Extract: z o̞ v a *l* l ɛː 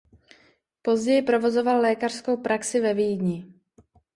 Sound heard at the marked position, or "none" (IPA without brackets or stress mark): l